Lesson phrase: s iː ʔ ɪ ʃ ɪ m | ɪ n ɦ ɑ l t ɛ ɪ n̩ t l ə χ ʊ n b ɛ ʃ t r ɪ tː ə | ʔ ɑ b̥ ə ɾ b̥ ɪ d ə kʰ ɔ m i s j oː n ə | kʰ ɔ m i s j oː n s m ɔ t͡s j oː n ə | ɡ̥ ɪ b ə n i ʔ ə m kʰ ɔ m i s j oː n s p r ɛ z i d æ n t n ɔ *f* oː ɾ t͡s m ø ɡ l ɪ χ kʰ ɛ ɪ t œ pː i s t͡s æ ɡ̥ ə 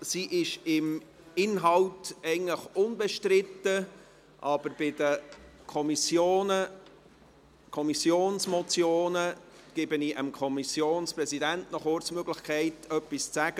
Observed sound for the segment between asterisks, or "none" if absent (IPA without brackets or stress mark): χ